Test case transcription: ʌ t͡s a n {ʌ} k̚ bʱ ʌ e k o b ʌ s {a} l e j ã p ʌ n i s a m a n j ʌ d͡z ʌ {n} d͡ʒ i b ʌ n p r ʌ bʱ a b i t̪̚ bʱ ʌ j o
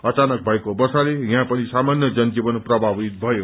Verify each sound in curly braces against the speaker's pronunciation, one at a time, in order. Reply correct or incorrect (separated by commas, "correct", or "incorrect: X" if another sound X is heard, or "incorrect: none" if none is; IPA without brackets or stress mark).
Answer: correct, correct, correct